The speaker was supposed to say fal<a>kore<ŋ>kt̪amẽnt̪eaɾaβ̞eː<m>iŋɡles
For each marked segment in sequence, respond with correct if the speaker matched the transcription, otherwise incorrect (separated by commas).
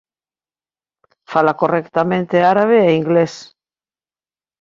correct, incorrect, incorrect